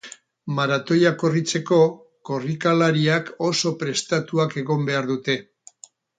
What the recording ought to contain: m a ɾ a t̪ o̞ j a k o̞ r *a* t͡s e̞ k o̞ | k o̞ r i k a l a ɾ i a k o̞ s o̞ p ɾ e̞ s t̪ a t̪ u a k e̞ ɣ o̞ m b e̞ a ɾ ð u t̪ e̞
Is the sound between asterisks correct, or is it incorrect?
incorrect